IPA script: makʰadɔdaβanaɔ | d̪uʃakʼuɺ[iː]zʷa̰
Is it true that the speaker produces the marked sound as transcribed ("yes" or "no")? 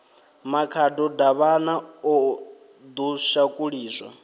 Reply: yes